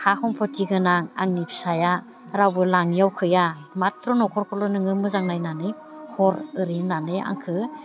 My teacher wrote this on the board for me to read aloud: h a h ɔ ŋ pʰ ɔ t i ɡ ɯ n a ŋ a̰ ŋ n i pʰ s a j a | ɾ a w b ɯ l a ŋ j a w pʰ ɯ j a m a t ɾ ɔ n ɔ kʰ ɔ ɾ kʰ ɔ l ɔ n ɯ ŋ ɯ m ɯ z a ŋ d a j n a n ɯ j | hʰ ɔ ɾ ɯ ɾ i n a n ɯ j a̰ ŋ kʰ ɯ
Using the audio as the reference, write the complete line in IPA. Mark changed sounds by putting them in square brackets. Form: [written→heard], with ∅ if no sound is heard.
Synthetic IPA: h a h ɔ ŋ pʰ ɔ t i ɡ ɯ n a ŋ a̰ ŋ n i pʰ s a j a | ɾ a w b ɯ l a ŋ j a w [pʰ→kʰ] ɯ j a m a t ɾ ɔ n ɔ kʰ ɔ ɾ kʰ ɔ l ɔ n ɯ ŋ ɯ m ɯ z a ŋ [d→n] a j n a n ɯ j | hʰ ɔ ɾ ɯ ɾ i n a n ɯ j a̰ ŋ kʰ ɯ